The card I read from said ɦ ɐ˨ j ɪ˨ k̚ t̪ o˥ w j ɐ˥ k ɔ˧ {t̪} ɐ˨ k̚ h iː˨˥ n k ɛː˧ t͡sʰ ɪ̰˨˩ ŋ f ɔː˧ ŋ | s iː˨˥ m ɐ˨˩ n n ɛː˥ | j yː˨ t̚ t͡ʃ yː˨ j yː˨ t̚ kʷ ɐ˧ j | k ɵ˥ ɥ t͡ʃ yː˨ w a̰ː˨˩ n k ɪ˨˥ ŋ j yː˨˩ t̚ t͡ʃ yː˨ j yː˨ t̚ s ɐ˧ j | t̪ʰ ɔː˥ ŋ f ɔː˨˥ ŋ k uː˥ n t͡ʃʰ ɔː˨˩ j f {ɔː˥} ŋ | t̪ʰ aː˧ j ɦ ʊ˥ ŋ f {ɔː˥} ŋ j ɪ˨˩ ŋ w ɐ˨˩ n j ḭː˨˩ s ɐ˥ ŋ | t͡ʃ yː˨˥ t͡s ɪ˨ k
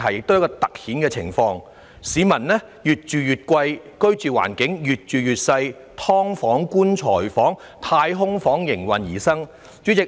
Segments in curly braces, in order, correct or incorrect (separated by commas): correct, incorrect, incorrect